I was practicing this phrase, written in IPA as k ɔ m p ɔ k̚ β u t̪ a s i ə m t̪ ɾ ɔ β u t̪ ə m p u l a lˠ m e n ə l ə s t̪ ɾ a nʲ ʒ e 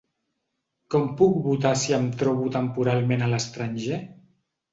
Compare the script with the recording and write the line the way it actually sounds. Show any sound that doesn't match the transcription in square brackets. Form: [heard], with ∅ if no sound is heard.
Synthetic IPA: k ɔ m p [u] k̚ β u t̪ a s i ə m t̪ ɾ ɔ β u t̪ ə m p u [ɾ] a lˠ m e n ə l ə s t̪ ɾ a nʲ ʒ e

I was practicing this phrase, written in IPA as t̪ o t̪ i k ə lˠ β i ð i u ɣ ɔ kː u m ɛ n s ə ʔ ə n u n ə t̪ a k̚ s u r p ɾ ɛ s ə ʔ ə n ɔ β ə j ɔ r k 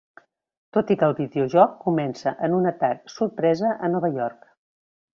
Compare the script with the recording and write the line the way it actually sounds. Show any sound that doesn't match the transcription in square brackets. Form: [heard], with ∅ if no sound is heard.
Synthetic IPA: t̪ o t̪ i k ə lˠ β i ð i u [ʒ] ɔ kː u m ɛ n s ə ʔ ə n u n ə t̪ a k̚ s u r p ɾ ɛ [z] ə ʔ ə n ɔ β ə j ɔ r k

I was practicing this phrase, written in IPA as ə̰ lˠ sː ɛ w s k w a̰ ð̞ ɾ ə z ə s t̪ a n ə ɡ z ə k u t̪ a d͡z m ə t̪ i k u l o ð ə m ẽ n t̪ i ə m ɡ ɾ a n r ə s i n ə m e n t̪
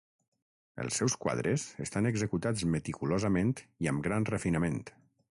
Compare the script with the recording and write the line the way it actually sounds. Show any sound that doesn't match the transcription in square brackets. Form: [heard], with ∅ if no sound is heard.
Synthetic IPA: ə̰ lˠ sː ɛ w s k w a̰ ð̞ ɾ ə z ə s t̪ a n ə ɡ z ə k u t̪ a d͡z m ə t̪ i k u l o [z] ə m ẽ n t̪ i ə m ɡ ɾ a n r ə [f] i n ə m e n t̪

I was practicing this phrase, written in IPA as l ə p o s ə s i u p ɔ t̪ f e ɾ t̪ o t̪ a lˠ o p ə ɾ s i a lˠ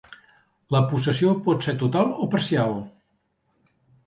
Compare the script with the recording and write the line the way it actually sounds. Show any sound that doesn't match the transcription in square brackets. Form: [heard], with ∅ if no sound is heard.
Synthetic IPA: l ə p [u] s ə s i [o] p ɔ t̪ [s] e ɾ t̪ [u] t̪ a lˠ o p ə ɾ s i a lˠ

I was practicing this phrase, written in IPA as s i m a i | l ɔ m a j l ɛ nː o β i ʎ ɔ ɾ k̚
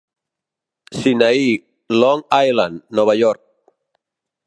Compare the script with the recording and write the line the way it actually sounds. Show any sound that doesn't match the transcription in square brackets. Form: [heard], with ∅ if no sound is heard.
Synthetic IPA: s i [n] a i | l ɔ [ŋ] a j l [a] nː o β [a] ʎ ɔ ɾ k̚

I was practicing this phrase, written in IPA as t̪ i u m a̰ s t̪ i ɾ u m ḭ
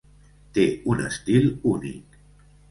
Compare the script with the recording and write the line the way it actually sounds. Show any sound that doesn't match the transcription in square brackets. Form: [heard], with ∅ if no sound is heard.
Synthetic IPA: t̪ [e] u [n] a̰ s t̪ i [l] u [n] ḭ

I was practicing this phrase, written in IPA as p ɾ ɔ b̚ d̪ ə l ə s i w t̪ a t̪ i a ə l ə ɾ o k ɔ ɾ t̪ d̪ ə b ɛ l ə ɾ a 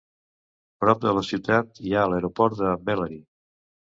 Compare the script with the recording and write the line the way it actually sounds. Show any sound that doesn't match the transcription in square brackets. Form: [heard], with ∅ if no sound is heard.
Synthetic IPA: p ɾ ɔ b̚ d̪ ə l ə s i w t̪ a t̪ i a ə l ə ɾ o [p] ɔ ɾ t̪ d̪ ə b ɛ l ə ɾ [i]

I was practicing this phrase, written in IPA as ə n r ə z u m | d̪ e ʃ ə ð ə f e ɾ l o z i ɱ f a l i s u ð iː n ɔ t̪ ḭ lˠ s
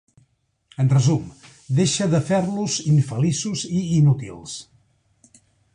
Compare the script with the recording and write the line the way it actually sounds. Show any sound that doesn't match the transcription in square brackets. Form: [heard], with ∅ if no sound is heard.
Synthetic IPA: ə n r ə z u m | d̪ e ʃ ə ð ə f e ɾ l [u] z i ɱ f [ə] l i s u [z] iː n [u] t̪ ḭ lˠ s

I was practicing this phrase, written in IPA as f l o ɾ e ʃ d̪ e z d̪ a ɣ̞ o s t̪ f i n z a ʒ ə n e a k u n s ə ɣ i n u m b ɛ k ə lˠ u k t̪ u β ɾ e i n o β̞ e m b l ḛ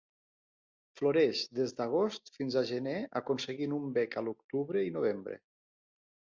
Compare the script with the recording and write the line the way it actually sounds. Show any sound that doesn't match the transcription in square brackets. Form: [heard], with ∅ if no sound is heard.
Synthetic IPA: f l o ɾ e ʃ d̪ e z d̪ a ɣ̞ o s t̪ f i n z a ʒ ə n e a k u n s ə ɣ i n u m b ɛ k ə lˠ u k t̪ u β ɾ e i n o β̞ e m b [ɾ] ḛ

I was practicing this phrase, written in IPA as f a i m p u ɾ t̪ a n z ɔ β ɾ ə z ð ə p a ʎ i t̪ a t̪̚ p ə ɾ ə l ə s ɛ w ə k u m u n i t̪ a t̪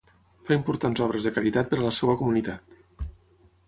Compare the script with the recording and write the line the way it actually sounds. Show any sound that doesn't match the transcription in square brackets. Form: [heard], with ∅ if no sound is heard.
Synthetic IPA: f a i m p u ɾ t̪ a n z ɔ β ɾ ə z ð ə [k] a [ɾ] i t̪ a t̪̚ p ə ɾ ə l ə s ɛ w ə k u m u n i t̪ a t̪

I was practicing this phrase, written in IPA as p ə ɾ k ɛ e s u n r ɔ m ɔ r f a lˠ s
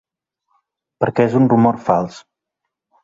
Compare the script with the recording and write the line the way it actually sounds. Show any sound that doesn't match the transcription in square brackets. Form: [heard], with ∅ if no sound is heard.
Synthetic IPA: p ə ɾ k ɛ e [z] u n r [u] m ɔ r f a lˠ s

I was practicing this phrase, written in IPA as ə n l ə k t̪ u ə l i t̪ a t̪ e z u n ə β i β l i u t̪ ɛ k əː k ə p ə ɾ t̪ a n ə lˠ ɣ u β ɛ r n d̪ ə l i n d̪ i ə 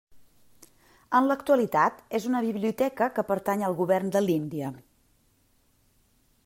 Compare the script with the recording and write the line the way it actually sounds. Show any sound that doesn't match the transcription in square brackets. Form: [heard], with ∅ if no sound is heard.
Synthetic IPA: ə n l ə k t̪ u ə l i t̪ a t̪ e z u n ə β i β l i u t̪ ɛ k [ə] k ə p ə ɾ t̪ a [ɲ] ə lˠ ɣ u β ɛ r n d̪ ə l i n d̪ i ə

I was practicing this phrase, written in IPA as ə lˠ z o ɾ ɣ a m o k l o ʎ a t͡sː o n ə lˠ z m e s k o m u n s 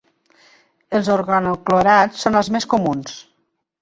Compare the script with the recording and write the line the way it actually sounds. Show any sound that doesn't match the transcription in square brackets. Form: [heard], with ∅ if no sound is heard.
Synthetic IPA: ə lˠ z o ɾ ɣ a [n] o k l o [ɾ] a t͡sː o n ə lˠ z m e s k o m u n s

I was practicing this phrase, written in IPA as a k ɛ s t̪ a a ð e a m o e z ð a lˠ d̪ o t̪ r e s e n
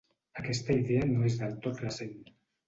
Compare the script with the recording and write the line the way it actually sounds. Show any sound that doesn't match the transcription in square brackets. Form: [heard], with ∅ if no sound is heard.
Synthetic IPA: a k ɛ s t̪ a [i] ð e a [n] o e z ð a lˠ [t̪] o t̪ r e s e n

